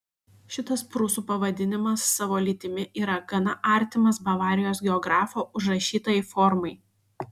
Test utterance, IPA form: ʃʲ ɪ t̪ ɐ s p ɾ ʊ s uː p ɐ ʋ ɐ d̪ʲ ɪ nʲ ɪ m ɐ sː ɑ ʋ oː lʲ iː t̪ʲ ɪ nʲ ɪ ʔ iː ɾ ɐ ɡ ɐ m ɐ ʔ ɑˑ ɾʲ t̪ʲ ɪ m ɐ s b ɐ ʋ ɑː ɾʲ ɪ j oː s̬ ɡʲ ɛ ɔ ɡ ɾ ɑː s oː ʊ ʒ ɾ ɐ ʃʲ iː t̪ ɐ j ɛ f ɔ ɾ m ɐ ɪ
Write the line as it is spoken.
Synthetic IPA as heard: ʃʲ ɪ t̪ ɐ s p ɾ ʊ s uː p ɐ ʋ ɐ d̪ʲ ɪ nʲ ɪ m ɐ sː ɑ ʋ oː lʲ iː t̪ʲ ɪ mʲ ɪ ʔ iː ɾ ɐ ɡ ɐ n ɐ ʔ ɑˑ ɾʲ t̪ʲ ɪ m ɐ s b ɐ ʋ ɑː ɾʲ ɪ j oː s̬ ɡʲ ɛ ɔ ɡ ɾ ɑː f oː ʊ ʒ ɾ ɐ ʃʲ iː t̪ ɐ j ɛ f ɔ ɾ m ɐ ɪ